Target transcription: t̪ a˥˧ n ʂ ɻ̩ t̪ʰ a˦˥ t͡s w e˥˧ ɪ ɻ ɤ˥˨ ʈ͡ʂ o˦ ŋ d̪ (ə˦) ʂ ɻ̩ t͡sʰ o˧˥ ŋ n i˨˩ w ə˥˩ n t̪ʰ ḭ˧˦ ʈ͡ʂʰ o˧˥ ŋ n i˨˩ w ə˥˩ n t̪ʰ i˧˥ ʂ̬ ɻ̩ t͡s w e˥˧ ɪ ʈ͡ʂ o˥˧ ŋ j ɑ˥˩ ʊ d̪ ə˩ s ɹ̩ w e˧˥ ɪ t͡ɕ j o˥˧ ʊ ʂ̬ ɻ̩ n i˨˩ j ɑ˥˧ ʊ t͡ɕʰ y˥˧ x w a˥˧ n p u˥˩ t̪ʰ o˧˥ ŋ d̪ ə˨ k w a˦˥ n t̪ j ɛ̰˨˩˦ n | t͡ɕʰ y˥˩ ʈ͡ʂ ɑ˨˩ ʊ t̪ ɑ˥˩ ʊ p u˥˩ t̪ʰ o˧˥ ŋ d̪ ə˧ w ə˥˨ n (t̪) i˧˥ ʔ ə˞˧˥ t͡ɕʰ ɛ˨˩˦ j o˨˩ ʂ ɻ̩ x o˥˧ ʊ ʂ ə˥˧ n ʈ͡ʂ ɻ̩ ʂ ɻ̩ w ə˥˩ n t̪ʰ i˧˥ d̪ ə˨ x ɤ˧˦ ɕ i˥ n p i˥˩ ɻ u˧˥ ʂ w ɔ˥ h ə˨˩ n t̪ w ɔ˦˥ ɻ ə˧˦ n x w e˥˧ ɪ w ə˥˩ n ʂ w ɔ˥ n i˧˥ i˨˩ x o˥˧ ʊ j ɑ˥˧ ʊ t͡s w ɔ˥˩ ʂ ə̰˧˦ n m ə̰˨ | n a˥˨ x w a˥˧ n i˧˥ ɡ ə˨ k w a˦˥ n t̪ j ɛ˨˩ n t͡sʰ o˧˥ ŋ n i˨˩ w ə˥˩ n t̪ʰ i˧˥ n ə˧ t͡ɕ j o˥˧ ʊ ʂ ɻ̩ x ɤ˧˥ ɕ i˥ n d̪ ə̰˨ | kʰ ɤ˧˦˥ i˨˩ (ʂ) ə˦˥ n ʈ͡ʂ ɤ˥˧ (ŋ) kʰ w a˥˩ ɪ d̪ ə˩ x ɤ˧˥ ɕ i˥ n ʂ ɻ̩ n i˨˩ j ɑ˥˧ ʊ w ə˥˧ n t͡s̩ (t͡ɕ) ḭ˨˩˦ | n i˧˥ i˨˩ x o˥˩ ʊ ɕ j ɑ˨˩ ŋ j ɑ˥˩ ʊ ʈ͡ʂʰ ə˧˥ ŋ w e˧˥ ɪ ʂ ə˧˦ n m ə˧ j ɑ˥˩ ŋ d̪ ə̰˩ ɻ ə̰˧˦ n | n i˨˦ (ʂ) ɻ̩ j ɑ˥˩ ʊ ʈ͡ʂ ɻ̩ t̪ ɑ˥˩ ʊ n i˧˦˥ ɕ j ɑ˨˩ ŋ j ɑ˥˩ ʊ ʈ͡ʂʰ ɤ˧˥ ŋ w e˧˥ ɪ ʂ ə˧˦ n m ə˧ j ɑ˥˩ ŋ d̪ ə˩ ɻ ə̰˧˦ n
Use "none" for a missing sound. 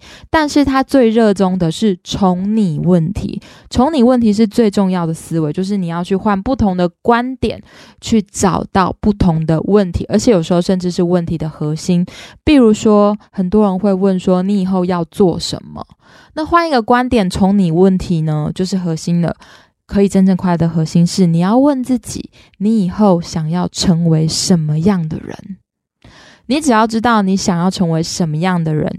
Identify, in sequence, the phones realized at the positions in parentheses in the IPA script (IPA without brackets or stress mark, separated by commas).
ə˨, t̪ʰ, ʈ͡ʂ, ŋ, t͡ɕ, ʈ͡ʂ